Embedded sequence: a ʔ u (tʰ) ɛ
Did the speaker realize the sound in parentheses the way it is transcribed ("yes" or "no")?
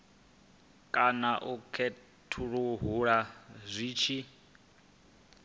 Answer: no